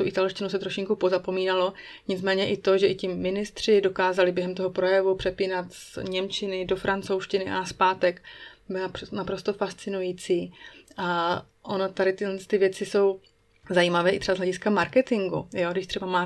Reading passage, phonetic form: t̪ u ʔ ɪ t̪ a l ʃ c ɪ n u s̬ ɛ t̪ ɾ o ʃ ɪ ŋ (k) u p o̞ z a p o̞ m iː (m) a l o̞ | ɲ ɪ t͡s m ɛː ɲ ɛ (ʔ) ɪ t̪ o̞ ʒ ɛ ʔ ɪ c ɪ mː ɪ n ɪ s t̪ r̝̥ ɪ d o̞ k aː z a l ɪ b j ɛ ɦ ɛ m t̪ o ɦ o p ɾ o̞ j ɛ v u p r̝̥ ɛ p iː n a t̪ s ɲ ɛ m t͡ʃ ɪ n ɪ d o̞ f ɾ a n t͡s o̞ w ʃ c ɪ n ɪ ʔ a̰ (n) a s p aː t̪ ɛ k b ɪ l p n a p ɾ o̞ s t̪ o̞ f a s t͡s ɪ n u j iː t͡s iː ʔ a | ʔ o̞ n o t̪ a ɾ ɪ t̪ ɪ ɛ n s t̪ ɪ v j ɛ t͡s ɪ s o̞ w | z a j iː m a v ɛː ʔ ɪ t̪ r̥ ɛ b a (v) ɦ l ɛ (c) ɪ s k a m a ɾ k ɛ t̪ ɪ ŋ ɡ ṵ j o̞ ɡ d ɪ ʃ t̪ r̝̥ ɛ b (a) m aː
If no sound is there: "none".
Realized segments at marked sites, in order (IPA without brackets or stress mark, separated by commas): k, n, ʔ, n, z, ɟ, a